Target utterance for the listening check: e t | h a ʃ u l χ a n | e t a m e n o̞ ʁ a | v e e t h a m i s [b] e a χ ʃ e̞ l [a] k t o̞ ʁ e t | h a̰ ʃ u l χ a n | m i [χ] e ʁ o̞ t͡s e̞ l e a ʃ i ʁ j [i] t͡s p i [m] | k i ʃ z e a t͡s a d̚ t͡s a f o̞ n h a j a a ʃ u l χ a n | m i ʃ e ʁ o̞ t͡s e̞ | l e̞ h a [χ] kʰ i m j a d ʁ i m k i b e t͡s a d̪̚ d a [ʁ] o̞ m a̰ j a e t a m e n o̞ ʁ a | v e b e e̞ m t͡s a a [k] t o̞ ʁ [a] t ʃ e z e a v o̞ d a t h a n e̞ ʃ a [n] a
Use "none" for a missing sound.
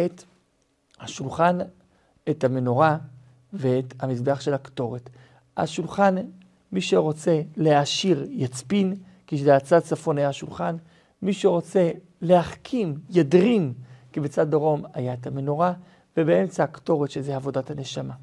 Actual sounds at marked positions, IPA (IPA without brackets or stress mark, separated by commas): b, a, ʃ, a, n, χ, ʁ, k, e, m